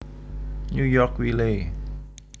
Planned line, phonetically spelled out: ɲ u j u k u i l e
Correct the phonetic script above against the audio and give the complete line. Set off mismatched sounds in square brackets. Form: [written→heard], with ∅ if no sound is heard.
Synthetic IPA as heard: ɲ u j [u→ɔ] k [u→w] i l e

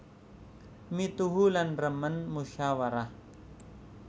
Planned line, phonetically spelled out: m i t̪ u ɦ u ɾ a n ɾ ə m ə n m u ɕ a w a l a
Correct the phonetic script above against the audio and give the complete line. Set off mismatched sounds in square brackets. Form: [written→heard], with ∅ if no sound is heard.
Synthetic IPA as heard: m i t̪ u ɦ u [ɾ→l] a n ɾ ə m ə n m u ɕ a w a [l→ɾ] a

